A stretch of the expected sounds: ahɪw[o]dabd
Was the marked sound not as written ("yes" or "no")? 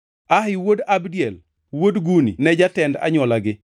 no